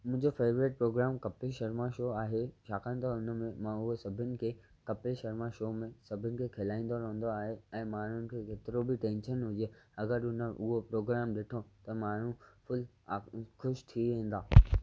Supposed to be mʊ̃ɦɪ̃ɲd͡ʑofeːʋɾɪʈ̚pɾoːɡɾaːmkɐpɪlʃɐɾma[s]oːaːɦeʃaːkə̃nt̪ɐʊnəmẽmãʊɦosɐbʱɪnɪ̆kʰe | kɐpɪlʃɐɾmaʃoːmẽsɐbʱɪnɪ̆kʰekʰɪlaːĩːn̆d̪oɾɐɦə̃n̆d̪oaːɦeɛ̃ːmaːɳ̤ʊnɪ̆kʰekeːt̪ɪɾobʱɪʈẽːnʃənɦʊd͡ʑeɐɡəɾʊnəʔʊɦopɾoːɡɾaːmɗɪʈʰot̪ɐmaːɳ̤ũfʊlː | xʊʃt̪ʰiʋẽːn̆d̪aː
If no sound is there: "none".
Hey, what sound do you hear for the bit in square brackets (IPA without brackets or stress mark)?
ʃ